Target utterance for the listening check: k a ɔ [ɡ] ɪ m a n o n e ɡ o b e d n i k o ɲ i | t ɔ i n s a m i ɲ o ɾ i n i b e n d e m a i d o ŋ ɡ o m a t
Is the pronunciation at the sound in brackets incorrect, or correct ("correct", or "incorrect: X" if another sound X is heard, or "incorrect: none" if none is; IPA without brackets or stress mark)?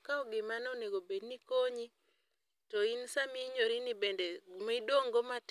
correct